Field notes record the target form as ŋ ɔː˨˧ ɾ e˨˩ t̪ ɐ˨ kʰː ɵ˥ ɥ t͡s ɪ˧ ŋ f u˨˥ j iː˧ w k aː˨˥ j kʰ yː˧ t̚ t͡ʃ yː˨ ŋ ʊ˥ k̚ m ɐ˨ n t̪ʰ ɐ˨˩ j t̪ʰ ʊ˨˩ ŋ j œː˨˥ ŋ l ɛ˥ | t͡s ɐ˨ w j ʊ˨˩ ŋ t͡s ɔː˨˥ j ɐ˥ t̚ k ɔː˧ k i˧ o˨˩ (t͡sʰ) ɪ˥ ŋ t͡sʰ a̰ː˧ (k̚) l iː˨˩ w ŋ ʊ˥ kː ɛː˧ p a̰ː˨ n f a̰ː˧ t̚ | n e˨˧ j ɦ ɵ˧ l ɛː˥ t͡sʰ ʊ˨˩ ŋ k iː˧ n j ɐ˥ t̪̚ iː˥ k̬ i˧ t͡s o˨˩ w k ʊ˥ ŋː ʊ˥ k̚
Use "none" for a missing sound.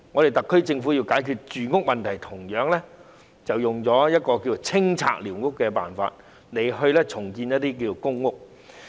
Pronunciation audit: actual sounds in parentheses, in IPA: t͡sʰ, k̚

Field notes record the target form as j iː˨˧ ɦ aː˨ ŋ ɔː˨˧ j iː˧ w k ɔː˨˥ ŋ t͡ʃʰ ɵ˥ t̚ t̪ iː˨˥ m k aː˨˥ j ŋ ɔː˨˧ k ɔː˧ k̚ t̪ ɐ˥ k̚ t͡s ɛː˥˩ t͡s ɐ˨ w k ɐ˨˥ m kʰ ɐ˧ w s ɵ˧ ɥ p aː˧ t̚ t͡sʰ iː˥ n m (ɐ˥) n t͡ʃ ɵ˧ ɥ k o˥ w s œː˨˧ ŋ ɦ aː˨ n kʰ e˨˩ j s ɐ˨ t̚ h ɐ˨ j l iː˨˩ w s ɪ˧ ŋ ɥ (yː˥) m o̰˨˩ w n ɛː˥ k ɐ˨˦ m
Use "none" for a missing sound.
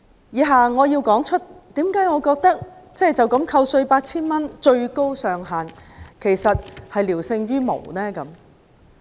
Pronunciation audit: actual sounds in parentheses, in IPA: ɐ˥, yː˥

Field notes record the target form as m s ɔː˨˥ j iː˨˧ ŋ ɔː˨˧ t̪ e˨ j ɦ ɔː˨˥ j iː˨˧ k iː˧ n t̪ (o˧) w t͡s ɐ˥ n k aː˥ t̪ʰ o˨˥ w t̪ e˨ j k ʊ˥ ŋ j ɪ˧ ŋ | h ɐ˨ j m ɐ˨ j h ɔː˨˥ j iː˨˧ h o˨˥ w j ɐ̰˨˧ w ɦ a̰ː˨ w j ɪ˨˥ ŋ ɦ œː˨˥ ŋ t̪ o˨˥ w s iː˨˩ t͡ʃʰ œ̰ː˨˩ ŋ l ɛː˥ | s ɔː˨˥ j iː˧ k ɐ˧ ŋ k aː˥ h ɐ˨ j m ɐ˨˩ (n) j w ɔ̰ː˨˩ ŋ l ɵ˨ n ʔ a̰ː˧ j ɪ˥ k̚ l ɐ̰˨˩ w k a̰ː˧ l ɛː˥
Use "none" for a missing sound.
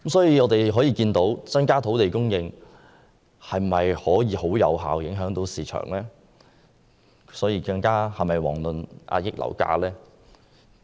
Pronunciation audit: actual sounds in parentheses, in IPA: o˨˥, none

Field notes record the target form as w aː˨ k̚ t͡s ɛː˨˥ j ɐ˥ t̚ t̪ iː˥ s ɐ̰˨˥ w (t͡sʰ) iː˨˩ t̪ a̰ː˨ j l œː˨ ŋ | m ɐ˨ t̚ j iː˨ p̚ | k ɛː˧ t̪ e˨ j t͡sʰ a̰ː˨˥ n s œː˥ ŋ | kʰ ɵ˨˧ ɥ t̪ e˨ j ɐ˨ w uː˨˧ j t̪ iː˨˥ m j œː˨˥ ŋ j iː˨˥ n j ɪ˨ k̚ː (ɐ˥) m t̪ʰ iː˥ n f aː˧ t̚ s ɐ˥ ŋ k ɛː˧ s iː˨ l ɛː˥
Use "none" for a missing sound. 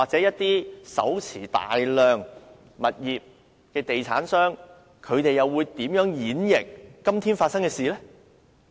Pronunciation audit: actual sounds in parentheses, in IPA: t͡sʰ, ɐ˥

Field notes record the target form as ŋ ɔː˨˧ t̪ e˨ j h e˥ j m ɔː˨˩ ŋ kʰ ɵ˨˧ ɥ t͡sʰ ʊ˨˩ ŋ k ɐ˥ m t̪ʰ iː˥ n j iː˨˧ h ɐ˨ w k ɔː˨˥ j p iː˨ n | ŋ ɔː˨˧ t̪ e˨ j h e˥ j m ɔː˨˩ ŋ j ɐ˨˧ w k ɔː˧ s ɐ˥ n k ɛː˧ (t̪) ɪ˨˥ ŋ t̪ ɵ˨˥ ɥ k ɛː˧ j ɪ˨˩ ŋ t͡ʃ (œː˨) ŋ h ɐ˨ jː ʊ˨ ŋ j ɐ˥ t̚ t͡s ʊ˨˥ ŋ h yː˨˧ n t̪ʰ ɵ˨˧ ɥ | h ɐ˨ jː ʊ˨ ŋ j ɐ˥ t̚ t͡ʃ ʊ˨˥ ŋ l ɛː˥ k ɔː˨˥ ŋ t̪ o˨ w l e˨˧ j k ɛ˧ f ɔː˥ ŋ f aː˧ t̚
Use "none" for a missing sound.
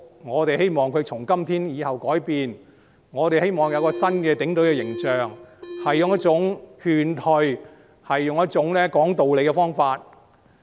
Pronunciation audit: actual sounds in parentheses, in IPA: t̪, œː˨

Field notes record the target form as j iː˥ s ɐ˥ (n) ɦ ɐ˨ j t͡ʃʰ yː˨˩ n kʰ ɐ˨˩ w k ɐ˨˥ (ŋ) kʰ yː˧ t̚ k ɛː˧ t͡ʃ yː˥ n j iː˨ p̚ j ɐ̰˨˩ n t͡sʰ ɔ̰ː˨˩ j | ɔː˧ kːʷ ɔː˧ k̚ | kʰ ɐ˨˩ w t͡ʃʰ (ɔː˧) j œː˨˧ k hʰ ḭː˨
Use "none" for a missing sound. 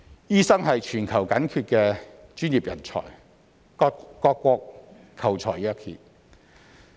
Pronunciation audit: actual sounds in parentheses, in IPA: ŋ, n, ɔː˨˩

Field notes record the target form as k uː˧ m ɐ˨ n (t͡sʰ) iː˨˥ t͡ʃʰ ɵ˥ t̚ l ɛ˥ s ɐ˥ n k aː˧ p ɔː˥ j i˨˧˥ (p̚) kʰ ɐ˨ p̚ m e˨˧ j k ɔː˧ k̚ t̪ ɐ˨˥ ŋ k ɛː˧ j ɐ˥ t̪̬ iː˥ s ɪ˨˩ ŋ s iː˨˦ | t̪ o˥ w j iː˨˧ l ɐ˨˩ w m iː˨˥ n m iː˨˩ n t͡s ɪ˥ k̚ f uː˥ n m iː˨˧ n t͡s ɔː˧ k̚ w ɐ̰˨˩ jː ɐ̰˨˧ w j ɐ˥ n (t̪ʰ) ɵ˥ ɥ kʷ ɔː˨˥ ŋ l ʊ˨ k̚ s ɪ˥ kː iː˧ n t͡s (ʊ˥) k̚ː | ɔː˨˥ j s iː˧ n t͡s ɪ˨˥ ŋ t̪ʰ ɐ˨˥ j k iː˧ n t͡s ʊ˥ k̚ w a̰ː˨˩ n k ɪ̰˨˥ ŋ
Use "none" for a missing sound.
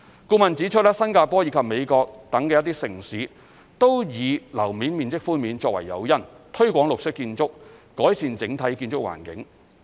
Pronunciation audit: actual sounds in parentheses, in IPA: t͡s, none, t̪ʰ, ʊ˥

